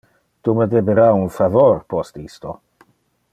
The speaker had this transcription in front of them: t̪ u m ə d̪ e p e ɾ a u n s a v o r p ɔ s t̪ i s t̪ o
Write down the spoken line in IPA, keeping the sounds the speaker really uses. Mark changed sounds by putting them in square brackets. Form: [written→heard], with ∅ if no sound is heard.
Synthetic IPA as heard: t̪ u m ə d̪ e [p→b] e ɾ a u n [s→f] a v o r p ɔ s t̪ i s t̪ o